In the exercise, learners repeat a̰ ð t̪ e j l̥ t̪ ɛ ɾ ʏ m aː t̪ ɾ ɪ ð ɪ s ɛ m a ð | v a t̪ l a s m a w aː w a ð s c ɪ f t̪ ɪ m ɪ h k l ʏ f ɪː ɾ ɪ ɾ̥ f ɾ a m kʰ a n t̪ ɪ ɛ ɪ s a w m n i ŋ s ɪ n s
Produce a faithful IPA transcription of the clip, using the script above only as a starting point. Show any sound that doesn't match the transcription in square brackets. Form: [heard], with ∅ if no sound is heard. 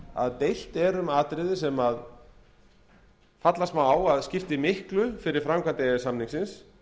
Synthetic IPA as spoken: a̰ ð t̪ e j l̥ t̪ ɛ ɾ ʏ m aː t̪ ɾ ɪ ð ɪ s ɛ m a ð | [f] a t̪ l a s m a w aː w a ð s c ɪ f t̪ ɪ m ɪ h k l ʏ f [ɪ] ɾ ɪ ɾ̥ f ɾ a m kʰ a n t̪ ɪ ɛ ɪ s a [∅] m n i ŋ s ɪ n s